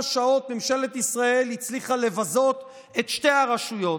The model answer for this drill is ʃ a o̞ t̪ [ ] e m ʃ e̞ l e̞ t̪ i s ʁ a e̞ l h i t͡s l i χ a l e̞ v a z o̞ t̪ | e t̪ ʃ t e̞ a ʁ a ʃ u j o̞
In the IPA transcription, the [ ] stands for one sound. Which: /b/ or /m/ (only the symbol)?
m